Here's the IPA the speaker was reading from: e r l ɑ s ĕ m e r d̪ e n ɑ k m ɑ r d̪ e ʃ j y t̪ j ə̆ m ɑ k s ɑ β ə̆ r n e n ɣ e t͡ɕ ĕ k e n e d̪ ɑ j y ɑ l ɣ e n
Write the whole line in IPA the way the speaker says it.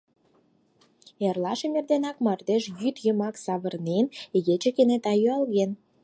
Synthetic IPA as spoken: e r l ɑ ʃ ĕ m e r d̪ e n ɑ k m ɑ r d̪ e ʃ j y t̪ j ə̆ m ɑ k s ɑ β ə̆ r n e n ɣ e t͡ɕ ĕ k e n e t̪ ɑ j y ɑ l ɣ e n